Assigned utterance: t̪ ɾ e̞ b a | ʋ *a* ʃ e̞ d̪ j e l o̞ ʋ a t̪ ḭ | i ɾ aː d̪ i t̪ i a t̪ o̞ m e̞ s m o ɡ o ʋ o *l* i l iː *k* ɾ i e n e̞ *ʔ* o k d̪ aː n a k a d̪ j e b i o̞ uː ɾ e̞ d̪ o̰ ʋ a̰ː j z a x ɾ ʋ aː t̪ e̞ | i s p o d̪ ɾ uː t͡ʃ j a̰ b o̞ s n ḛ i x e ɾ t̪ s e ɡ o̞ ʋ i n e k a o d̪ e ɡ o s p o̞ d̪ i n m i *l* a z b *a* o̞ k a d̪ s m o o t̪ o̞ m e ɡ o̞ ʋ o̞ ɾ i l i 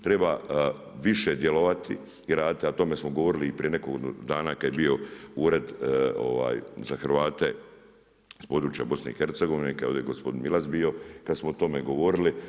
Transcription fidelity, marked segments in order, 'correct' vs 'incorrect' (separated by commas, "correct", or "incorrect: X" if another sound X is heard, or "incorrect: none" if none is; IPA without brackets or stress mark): incorrect: i, incorrect: ɾ, incorrect: p, incorrect: k, correct, incorrect: i